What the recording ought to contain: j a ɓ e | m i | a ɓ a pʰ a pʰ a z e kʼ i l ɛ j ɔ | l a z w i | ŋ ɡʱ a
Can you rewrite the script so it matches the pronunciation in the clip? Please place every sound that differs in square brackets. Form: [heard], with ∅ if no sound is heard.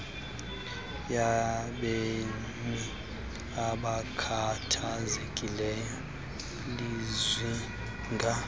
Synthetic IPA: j a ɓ e | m i | a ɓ a [kʰ] a [tʰ] a z e kʼ i l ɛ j ɔ | l [i] z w i | ŋ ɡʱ a